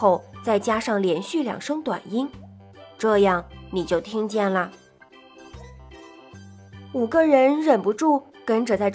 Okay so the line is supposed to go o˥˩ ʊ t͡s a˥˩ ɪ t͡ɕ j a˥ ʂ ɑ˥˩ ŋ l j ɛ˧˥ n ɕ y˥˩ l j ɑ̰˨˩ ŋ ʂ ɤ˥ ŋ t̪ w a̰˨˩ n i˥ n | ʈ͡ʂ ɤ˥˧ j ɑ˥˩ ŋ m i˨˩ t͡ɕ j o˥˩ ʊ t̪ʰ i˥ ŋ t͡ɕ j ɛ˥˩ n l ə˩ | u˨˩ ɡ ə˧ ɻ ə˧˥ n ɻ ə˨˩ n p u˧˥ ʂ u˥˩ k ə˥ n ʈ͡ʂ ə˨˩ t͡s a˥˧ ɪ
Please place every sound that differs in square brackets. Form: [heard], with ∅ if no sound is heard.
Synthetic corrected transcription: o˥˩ ʊ t͡s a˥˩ ɪ t͡ɕ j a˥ ʂ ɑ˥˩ ŋ l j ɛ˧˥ n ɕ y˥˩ l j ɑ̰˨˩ ŋ ʂ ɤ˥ ŋ t̪ w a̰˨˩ n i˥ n | ʈ͡ʂ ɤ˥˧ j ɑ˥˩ ŋ [n] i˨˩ t͡ɕ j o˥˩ ʊ t̪ʰ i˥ ŋ t͡ɕ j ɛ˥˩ n l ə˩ | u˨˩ ɡ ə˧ ɻ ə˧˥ n ɻ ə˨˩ n p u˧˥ [ʈ͡ʂ] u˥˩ k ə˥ n ʈ͡ʂ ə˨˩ t͡s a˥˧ ɪ